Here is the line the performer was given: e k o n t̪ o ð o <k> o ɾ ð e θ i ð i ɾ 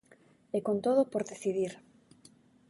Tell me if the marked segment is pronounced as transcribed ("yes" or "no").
no